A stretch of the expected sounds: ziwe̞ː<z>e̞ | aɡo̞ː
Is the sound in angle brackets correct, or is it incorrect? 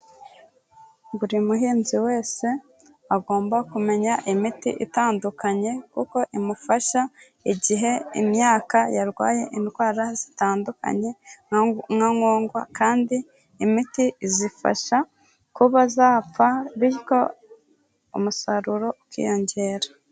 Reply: incorrect